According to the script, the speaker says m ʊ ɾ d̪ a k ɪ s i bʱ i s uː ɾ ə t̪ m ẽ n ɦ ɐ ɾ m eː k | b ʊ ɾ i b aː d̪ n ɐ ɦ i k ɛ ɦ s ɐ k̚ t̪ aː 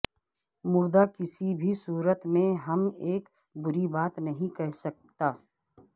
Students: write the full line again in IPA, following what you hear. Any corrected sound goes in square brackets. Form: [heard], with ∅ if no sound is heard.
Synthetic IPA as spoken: m ʊ ɾ d̪ a k ɪ s i bʱ i s uː ɾ ə t̪ m ẽ [∅] ɦ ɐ [∅] m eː k | b ʊ ɾ i b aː [t̪] n ɐ ɦ [ĩ] k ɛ ɦ s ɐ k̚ t̪ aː